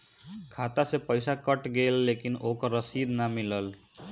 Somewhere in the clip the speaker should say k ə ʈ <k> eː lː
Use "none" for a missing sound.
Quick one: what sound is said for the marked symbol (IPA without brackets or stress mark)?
ɡ